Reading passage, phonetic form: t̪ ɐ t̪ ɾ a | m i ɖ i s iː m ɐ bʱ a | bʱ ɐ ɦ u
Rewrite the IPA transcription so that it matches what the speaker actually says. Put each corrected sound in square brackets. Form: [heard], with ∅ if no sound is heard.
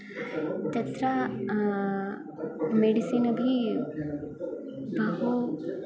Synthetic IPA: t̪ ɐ t̪ ɾ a | m [e] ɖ i s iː [n] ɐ bʱ [i] | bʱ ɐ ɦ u